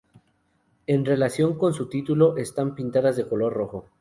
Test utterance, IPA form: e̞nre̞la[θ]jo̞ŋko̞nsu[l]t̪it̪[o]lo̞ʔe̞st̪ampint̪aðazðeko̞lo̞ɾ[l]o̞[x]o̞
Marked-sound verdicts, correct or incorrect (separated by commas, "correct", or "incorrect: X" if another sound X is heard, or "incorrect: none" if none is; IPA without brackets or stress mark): incorrect: s, incorrect: none, incorrect: u, incorrect: r, correct